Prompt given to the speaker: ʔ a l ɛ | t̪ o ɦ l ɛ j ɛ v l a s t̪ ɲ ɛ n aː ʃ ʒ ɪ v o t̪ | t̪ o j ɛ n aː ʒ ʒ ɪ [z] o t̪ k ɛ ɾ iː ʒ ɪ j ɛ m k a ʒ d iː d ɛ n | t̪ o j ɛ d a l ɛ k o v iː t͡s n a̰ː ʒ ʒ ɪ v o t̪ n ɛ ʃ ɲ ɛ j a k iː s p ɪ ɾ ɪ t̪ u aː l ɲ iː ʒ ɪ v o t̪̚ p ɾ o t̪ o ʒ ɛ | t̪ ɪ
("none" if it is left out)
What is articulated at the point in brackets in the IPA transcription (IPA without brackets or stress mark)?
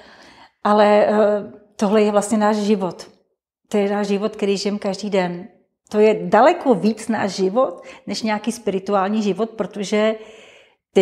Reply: v